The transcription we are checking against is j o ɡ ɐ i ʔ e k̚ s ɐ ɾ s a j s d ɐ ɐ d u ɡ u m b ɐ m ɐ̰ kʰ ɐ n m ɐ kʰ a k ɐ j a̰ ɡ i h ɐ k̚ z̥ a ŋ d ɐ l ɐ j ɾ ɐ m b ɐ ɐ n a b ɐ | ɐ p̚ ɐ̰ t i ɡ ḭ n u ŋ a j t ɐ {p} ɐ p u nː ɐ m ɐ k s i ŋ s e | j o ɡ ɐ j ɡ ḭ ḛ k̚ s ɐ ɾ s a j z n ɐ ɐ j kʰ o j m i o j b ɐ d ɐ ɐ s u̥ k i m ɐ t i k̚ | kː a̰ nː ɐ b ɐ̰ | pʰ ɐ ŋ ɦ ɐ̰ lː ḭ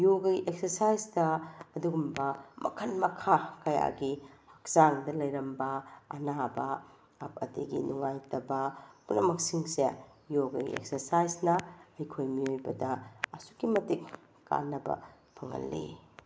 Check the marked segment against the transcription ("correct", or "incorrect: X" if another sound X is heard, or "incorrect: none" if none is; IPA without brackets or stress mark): incorrect: b